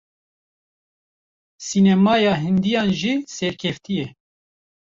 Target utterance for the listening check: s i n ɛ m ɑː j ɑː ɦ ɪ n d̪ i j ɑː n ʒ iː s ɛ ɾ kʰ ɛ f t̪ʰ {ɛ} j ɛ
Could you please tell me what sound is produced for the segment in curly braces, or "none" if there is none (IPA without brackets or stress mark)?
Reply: i